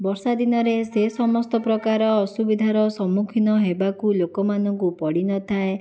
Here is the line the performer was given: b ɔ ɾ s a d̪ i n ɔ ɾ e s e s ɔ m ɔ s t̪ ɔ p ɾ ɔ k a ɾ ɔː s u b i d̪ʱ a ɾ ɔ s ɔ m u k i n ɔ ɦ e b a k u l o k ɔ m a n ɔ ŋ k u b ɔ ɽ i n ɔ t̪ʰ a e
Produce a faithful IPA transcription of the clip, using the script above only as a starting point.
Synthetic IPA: b ɔ ɾ s a d̪ i n ɔ ɾ e s e s ɔ m ɔ s t̪ ɔ p ɾ ɔ k a ɾ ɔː s u b i d̪ʱ a ɾ ɔ s ɔ m u kʰ i n ɔ ɦ e b a k u l o k ɔ m a n ɔ ŋ k u p ɔ ɽ i n ɔ t̪ʰ a e